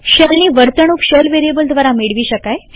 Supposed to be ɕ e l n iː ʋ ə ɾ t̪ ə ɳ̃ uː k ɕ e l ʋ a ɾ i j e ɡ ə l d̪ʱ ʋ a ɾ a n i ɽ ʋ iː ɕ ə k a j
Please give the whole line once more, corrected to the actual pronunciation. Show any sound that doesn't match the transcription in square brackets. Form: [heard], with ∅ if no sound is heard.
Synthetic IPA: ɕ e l n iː ʋ ə ɾ t̪ ə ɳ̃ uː k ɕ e l ʋ [e] ɾ i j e [b] ə l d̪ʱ ʋ a ɾ a [m] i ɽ ʋ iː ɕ ə k a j